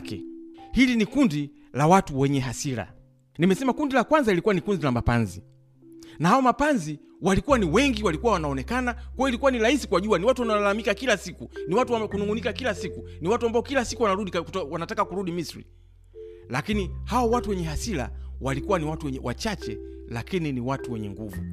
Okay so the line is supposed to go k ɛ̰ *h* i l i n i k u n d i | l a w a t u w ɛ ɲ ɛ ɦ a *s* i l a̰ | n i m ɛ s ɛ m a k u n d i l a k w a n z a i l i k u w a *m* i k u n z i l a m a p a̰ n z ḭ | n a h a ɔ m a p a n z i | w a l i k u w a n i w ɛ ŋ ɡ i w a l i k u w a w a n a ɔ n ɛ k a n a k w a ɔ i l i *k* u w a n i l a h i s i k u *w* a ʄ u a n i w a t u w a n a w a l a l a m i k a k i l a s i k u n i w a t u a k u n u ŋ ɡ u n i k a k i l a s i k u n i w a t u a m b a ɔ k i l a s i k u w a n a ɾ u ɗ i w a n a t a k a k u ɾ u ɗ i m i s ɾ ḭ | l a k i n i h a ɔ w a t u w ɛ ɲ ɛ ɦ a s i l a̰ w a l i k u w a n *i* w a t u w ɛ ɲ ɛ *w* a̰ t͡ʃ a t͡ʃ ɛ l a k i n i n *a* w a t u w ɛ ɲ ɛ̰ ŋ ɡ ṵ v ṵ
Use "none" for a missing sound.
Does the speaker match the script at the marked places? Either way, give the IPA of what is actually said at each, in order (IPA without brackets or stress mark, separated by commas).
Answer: h, s, n, k, w, i, w, i